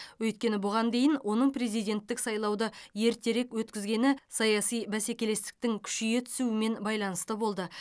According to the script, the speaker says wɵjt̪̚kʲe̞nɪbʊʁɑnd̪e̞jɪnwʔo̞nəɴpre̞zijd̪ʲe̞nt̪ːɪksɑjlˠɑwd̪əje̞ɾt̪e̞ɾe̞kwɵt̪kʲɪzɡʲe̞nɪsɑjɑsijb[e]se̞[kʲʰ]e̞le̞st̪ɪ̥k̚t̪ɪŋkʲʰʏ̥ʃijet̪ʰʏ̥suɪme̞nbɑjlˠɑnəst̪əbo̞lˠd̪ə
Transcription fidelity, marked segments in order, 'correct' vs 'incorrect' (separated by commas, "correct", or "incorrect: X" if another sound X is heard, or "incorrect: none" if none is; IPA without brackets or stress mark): incorrect: æ, incorrect: kʲ